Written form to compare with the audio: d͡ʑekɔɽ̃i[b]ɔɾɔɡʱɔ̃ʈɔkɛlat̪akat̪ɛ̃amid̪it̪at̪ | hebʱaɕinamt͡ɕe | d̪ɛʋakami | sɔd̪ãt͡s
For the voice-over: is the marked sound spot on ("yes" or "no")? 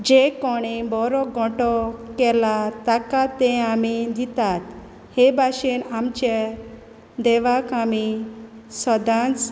yes